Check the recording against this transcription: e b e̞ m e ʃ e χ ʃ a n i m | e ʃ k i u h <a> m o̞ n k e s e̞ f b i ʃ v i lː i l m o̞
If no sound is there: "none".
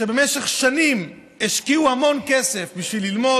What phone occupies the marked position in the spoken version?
a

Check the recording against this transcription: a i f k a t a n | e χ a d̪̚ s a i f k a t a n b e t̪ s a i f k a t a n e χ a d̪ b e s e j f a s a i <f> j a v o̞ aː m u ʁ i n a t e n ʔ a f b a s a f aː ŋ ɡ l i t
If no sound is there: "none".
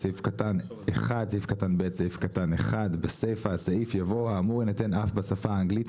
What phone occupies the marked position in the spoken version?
f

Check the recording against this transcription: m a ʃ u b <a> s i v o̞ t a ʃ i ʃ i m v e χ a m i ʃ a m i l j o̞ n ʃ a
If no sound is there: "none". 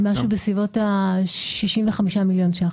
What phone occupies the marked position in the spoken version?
e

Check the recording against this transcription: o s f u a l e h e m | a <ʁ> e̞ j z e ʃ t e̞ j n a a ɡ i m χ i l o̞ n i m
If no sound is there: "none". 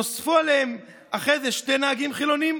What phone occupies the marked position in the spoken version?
χ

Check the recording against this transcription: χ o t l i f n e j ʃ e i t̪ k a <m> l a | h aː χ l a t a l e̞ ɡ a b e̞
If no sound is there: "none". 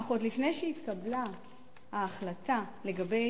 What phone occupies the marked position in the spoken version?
b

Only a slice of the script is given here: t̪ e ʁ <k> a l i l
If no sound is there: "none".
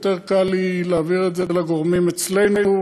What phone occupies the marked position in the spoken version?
k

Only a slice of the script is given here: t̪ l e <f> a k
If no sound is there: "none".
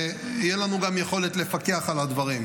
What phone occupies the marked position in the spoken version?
f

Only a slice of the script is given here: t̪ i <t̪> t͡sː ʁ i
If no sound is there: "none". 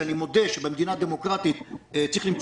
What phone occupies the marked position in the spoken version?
t̪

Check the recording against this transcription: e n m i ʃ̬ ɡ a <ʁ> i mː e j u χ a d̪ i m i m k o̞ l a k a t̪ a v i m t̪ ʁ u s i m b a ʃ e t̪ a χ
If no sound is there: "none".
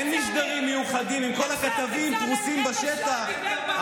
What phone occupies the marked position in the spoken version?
ʁ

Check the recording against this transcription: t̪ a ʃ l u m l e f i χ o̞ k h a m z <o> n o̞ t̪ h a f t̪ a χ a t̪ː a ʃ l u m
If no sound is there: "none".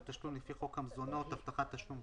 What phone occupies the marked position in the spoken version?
o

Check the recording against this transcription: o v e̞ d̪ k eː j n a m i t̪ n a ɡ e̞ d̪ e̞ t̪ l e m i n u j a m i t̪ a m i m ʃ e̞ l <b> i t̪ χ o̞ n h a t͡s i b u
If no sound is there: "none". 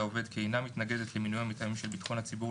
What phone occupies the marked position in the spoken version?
b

